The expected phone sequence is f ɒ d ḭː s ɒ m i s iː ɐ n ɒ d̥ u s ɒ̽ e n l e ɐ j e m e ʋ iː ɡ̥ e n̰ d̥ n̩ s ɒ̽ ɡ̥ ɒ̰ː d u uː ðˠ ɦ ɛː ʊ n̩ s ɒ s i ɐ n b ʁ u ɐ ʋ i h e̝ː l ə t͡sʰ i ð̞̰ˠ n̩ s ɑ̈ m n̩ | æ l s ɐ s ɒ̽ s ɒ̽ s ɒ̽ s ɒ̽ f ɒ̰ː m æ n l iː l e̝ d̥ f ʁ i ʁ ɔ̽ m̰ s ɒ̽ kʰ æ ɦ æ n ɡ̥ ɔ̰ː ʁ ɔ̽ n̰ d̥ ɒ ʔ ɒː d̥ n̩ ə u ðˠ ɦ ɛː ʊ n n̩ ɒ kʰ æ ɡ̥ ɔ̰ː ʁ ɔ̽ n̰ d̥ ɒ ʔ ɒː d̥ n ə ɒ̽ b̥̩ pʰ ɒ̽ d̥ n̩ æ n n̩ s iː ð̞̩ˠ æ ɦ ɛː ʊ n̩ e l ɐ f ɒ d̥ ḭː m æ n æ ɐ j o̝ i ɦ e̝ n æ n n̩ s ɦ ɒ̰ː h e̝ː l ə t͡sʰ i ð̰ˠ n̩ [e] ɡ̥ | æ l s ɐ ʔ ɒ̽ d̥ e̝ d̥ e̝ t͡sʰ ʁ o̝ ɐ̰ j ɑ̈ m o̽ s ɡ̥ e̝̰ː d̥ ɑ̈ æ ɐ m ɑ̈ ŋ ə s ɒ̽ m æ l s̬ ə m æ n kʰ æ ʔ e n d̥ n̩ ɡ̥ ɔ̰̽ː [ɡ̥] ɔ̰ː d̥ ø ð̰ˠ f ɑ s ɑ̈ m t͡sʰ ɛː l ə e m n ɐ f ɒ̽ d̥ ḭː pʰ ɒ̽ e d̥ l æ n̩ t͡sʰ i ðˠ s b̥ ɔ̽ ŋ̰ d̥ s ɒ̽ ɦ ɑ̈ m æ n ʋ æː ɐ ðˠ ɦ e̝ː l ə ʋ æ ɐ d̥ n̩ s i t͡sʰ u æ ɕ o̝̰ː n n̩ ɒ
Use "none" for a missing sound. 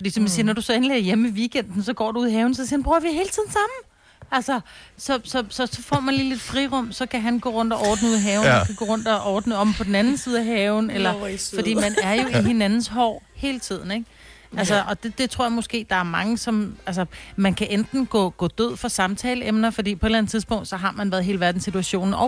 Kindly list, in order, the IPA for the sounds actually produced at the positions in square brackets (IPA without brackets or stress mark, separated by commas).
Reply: e, ɡ̥